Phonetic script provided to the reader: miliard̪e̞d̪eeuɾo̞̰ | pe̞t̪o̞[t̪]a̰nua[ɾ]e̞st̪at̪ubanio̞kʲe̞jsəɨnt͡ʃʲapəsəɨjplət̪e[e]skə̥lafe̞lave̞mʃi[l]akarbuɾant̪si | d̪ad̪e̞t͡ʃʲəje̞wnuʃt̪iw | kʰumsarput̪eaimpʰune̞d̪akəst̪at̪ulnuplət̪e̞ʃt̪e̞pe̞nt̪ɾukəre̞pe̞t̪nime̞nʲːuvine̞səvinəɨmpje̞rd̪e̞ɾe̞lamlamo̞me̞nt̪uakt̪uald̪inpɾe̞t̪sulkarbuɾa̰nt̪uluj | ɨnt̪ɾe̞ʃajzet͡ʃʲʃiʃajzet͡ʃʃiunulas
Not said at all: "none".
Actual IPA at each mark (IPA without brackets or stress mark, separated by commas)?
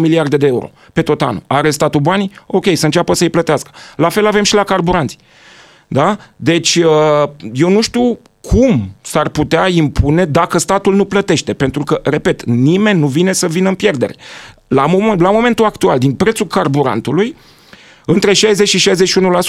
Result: t̪, ɾ, a, l